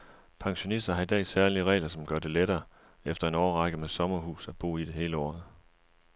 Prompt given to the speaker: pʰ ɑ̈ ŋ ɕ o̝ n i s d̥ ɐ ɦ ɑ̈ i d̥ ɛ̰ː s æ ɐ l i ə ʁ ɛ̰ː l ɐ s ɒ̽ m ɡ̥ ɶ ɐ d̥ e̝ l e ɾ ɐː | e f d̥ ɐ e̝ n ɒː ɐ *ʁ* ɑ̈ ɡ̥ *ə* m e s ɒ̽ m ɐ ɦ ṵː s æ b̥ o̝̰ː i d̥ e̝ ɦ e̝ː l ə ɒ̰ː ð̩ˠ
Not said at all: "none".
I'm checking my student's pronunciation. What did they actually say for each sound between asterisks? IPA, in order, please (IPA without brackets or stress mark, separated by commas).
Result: ʁ, ə